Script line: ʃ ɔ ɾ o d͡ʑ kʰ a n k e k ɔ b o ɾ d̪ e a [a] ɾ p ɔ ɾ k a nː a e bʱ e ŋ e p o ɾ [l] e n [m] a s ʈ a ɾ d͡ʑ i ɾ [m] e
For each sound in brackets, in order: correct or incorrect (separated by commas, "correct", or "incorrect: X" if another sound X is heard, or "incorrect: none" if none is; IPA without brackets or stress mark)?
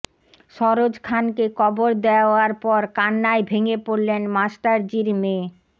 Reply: correct, correct, correct, correct